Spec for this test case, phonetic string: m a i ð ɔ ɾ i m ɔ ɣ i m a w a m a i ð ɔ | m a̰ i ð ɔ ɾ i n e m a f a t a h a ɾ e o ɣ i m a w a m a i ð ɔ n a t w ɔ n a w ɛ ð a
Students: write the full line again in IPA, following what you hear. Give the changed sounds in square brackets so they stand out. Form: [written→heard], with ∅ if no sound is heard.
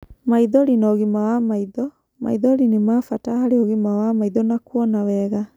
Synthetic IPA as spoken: m a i ð ɔ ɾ i [m→n] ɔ ɣ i m a w a m a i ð ɔ | m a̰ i ð ɔ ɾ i n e m a f a t a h a ɾ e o ɣ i m a w a m a i ð ɔ n a [t→k] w ɔ n a w ɛ [ð→ɣ] a